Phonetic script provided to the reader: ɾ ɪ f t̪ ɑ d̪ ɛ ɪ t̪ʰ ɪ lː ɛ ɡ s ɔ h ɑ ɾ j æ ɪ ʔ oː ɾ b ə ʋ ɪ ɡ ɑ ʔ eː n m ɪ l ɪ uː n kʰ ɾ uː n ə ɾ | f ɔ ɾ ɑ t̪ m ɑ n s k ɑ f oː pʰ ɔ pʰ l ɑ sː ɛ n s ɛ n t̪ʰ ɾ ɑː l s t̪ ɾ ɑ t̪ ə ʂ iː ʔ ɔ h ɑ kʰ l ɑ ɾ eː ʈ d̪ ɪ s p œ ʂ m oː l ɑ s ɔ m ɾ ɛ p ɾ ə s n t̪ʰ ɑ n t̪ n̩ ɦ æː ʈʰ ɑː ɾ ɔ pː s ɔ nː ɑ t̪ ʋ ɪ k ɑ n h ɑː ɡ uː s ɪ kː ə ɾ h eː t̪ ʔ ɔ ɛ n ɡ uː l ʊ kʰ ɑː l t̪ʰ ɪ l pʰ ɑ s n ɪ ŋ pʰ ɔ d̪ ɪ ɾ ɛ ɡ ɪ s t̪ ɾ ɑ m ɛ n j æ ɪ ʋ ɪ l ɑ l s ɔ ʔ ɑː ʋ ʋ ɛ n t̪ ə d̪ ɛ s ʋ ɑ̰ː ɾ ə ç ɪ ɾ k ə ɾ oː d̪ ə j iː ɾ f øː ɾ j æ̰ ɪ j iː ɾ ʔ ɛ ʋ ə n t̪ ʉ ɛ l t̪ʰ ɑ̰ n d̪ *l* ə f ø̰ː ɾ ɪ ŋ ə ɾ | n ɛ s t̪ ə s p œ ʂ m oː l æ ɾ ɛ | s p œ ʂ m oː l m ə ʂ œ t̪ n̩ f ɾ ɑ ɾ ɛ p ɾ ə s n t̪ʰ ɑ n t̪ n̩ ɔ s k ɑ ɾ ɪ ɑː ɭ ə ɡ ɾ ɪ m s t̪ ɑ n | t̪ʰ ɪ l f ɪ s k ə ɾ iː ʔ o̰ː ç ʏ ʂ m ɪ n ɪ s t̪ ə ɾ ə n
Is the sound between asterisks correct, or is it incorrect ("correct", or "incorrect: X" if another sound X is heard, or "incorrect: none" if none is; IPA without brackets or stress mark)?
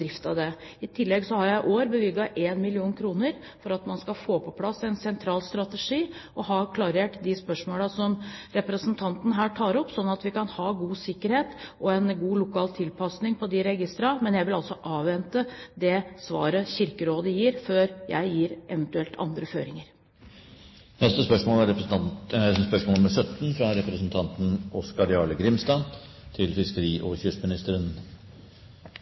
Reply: incorrect: ɾ